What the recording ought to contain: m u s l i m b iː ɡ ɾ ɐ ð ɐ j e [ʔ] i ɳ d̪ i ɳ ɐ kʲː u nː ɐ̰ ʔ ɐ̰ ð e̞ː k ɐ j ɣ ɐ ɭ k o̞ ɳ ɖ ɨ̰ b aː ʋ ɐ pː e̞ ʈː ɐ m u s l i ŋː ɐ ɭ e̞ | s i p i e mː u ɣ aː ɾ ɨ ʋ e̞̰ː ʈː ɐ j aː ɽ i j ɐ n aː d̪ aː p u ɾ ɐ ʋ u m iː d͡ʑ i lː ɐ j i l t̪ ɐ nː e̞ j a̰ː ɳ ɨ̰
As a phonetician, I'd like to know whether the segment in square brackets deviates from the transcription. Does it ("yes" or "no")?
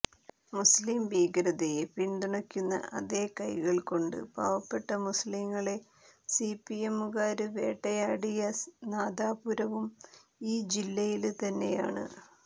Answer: yes